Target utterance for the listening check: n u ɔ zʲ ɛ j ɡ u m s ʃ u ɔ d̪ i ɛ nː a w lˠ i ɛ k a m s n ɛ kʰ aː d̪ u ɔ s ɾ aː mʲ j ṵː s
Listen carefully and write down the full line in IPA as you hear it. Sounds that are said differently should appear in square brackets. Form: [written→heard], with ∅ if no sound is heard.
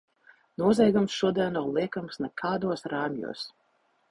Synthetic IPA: n u ɔ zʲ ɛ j ɡ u m s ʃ u ɔ d̪ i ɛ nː a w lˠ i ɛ k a m s n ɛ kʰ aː d̪ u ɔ s ɾ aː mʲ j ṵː s